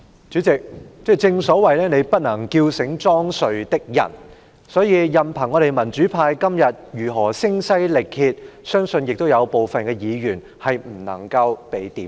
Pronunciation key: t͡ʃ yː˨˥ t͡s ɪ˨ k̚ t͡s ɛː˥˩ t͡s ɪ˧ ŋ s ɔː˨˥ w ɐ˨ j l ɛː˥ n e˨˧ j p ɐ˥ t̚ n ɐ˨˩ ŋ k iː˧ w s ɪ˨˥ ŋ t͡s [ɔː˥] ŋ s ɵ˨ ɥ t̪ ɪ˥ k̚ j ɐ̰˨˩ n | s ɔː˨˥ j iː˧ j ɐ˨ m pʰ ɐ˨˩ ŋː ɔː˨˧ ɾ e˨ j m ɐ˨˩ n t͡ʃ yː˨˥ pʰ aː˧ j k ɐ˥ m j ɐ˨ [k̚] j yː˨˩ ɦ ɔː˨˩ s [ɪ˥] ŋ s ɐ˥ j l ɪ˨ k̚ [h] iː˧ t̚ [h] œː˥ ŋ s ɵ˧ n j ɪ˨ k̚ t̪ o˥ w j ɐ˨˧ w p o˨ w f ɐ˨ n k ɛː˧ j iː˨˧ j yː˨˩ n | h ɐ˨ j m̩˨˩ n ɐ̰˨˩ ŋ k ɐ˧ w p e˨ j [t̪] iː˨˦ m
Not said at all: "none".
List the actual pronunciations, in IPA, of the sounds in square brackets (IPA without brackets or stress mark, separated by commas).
ɔː˥, t̚, ɪ˥, h, s, t̪